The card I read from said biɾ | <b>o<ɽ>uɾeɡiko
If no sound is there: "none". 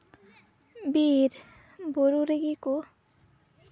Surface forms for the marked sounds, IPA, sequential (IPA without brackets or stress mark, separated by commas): b, ɾ